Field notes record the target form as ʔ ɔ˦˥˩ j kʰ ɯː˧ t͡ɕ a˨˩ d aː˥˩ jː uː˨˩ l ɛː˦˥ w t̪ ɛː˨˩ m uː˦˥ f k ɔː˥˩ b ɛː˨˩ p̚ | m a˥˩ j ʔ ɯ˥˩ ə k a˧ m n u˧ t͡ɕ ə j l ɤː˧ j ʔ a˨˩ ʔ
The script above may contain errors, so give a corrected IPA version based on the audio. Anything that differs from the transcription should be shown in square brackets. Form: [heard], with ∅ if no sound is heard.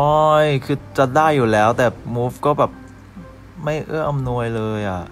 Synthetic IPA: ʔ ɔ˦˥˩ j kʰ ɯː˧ t͡ɕ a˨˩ d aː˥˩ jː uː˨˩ l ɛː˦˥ w t̪ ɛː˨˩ m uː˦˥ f k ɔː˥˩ b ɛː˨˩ p̚ | m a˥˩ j ʔ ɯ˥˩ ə [ʔ] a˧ m n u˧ [∅] ə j l ɤː˧ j ʔ a˨˩ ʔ